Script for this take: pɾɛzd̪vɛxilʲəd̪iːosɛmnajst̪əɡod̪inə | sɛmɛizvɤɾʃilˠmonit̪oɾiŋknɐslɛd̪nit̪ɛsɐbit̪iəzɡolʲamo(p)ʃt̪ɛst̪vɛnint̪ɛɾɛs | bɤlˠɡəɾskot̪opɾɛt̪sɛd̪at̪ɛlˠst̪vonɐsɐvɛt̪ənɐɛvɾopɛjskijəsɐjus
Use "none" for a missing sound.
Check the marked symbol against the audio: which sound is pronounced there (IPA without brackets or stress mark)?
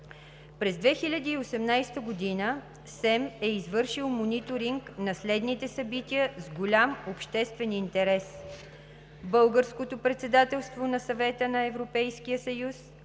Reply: p